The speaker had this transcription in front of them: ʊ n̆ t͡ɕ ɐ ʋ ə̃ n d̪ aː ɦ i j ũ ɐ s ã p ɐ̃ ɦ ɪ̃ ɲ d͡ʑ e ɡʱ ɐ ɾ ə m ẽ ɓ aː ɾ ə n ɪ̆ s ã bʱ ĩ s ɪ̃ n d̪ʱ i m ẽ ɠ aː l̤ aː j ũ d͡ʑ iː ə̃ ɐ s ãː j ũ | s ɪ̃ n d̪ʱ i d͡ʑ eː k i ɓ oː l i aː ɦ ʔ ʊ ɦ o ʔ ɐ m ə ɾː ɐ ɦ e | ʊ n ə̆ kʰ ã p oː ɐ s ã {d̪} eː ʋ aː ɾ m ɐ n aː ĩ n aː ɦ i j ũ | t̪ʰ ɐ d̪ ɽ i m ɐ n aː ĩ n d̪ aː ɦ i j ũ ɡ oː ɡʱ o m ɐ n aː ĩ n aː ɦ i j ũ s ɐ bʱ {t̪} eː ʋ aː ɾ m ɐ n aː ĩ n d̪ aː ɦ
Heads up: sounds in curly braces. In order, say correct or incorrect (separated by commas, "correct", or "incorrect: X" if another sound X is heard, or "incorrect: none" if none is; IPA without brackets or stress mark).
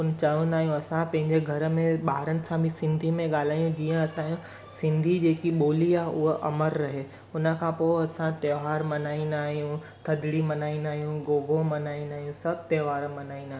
incorrect: t̪, correct